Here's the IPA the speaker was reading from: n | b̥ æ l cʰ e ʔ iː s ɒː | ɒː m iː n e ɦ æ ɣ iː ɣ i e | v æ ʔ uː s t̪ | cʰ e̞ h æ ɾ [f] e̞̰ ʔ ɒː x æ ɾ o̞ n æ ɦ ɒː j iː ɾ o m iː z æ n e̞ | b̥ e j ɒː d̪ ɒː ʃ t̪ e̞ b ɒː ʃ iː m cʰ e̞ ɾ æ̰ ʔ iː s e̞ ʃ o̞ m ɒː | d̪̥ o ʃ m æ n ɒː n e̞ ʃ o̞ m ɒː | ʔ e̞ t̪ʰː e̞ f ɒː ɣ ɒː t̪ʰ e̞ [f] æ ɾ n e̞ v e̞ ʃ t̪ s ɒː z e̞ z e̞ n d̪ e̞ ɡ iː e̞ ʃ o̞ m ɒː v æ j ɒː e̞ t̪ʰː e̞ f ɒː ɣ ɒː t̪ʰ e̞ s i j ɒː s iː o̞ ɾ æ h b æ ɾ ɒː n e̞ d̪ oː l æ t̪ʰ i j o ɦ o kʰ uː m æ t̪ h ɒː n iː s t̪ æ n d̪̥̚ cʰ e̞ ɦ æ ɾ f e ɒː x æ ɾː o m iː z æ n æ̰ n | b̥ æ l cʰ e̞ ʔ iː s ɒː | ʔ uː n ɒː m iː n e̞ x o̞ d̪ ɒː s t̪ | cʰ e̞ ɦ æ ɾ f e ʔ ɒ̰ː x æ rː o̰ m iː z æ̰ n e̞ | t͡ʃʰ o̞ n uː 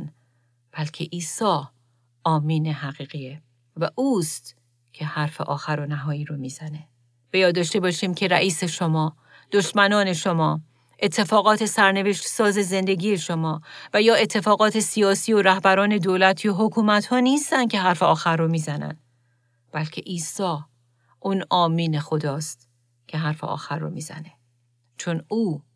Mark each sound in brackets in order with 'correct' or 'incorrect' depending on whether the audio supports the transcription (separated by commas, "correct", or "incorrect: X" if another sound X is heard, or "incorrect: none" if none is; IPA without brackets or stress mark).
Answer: correct, incorrect: s